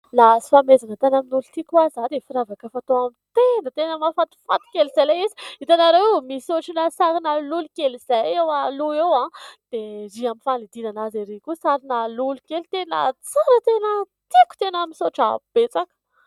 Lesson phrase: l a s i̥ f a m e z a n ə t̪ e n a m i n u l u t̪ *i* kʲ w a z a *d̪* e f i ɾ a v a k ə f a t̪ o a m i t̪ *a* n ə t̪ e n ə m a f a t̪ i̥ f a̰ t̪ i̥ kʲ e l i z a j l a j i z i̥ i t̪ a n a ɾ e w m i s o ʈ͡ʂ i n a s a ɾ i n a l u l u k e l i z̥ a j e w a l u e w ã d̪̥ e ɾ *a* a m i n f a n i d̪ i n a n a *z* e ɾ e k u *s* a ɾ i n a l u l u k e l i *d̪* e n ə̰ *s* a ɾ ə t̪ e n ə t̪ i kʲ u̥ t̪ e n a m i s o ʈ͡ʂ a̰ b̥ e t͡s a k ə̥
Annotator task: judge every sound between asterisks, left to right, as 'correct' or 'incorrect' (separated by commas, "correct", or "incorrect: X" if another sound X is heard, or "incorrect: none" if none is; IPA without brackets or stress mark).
correct, correct, incorrect: e, incorrect: i, correct, correct, incorrect: t̪, incorrect: t͡s